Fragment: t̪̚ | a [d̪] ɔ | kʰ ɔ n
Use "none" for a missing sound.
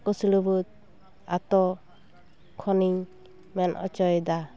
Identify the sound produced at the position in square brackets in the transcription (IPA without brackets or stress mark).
t̪